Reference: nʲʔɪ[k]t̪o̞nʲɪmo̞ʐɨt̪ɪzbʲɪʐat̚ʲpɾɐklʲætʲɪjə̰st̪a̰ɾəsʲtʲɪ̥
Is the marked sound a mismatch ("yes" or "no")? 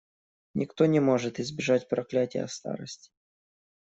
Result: no